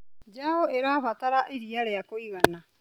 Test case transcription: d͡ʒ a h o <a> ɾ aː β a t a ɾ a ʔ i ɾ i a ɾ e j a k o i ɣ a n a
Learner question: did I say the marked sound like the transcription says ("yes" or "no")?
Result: no